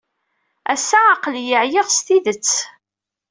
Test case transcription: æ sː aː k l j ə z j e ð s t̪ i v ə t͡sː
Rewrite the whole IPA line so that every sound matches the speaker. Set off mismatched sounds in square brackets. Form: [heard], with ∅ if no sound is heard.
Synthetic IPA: æ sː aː [q] l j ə [ʕ] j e [ʁ] s t̪ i [ð] ə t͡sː